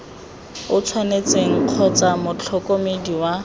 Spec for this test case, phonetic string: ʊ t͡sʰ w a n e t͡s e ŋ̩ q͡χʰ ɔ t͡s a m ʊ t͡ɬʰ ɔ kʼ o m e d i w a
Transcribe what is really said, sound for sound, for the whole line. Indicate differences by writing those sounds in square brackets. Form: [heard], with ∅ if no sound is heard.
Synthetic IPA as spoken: ʊ t͡sʰ w a n e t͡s e ŋ̩ q͡χʰ ɔ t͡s a m ʊ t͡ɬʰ ɔ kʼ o m e d i w a